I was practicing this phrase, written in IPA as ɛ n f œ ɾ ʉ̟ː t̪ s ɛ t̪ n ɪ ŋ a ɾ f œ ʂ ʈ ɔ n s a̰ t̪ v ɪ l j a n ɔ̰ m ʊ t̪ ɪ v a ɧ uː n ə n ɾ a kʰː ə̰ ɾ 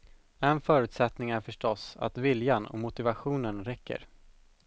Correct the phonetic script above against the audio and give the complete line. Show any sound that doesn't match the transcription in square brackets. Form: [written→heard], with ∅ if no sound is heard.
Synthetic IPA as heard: ɛ n f [œ→œː] ɾ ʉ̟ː t̪ s ɛ t̪ n ɪ ŋ [a→æ] ɾ f œ ʂ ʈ ɔ [n→∅] s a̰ t̪ v ɪ l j a n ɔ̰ m ʊ t̪ ɪ v a ɧ uː n ə n ɾ [a→ɛ] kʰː ə̰ ɾ